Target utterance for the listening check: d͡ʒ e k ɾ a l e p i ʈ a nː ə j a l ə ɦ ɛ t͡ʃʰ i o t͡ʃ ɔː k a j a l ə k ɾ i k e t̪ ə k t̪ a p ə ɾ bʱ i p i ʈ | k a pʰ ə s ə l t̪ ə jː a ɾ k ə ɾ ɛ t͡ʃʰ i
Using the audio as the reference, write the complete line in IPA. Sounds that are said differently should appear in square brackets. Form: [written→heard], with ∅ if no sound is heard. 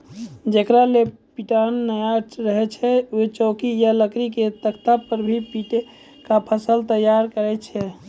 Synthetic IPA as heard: d͡ʒ e k ɾ a l e p i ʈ a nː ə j a [l→ɾ] ə ɦ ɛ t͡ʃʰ [i→ɛ] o t͡ʃ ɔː k [a→i] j a l ə k ɾ i k e t̪ ə k t̪ a p ə ɾ bʱ i p i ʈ | k a pʰ ə s ə l t̪ ə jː a ɾ k ə ɾ ɛ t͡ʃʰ [i→ɛ]